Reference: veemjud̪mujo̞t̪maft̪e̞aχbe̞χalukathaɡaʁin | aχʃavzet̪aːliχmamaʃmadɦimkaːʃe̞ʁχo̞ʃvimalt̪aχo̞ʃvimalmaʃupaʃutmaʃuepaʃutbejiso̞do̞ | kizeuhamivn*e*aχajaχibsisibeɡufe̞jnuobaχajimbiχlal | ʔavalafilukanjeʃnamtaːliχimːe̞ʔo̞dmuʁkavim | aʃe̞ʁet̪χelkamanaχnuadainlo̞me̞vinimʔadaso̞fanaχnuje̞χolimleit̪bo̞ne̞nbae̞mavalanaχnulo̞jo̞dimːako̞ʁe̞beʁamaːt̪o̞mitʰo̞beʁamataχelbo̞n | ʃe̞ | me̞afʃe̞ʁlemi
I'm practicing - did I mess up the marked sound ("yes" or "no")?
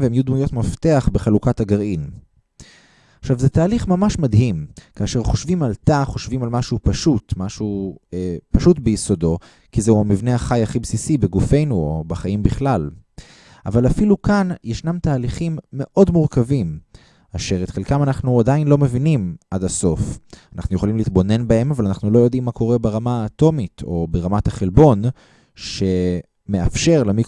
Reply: no